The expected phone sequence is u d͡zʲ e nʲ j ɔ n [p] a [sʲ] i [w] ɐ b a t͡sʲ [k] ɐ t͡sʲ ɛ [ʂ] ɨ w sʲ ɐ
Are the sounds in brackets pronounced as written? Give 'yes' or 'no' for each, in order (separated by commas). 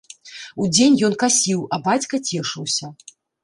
no, yes, yes, yes, yes